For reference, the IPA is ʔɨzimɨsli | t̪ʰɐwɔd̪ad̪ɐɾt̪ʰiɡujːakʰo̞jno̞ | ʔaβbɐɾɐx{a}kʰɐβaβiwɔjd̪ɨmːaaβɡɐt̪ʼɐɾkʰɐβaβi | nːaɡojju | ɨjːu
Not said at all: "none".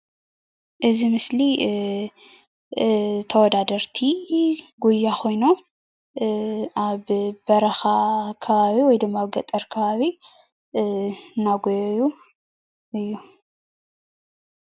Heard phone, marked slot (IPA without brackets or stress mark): a